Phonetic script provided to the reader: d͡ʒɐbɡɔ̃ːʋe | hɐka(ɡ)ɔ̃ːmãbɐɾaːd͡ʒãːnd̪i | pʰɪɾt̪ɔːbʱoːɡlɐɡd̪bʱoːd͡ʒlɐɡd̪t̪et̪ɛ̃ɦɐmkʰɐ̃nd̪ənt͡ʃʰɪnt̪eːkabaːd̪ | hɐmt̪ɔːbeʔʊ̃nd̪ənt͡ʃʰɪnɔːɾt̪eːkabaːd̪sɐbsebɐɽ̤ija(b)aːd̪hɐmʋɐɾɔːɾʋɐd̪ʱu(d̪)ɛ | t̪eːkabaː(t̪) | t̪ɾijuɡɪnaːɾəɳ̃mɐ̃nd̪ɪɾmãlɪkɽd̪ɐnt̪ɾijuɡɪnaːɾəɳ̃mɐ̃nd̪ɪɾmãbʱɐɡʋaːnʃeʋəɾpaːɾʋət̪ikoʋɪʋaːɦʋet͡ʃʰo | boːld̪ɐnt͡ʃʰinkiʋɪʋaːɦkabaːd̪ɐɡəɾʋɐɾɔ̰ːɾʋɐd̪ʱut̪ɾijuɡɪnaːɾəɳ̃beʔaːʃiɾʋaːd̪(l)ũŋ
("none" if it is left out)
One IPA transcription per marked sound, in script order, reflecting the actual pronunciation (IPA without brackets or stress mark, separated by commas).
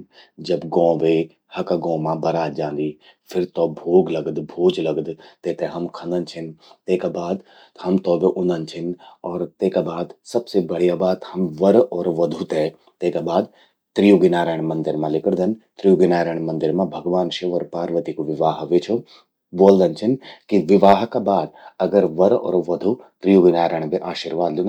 ɡ, b, t̪, d̪, l